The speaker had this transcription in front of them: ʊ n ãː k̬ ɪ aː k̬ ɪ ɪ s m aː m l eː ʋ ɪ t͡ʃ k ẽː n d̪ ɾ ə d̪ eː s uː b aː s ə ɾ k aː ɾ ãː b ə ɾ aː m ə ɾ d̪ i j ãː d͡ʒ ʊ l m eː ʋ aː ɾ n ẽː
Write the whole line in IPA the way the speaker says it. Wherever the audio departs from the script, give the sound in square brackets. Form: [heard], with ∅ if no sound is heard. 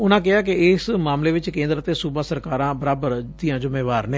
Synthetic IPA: ʊ n ãː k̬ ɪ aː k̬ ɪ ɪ s m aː m l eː ʋ ɪ t͡ʃ k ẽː n d̪ ɾ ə [t̪] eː s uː b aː s ə ɾ k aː ɾ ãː b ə ɾ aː [b] ə ɾ d̪ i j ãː d͡ʒ ʊ [∅] m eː ʋ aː ɾ n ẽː